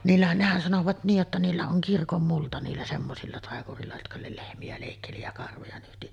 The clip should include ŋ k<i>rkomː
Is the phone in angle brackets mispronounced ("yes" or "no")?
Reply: no